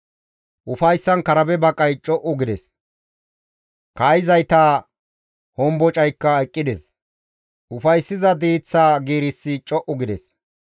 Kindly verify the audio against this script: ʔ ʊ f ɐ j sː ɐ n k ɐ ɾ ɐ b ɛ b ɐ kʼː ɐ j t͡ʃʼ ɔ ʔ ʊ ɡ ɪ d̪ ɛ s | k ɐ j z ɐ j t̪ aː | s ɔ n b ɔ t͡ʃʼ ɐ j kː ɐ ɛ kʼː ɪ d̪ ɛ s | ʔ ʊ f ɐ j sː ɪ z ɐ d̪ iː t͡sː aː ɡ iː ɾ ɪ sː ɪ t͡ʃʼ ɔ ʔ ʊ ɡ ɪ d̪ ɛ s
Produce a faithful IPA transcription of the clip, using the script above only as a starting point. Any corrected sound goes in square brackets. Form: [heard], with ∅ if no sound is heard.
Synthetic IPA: ʔ ʊ f ɐ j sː ɐ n k ɐ ɾ ɐ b ɛ b ɐ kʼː ɐ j t͡ʃʼ ɔ ʔ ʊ ɡ ɪ d̪ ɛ s | k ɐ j z ɐ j t̪ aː | [h] ɔ [m] b ɔ t͡ʃʼ ɐ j kː ɐ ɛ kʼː ɪ d̪ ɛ s | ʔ ʊ f ɐ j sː ɪ z ɐ d̪ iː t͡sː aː ɡ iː ɾ ɪ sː ɪ t͡ʃʼ ɔ ʔ ʊ ɡ ɪ d̪ ɛ s